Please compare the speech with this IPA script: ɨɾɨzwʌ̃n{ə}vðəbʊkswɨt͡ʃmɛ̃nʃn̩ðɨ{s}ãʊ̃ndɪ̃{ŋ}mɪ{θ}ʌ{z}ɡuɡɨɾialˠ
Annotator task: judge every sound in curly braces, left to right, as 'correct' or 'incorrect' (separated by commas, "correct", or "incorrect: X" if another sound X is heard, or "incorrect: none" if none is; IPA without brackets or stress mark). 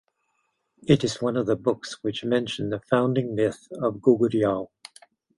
incorrect: ʌ, incorrect: f, correct, correct, incorrect: v